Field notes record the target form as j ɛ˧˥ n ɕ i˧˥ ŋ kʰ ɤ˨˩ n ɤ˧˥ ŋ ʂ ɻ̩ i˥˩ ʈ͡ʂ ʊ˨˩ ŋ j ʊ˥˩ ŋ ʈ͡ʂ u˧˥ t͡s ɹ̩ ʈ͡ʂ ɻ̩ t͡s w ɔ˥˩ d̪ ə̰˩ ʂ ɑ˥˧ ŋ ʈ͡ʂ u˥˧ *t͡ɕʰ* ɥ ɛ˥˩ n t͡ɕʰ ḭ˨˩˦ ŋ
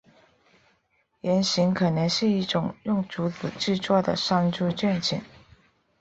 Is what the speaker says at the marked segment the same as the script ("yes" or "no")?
no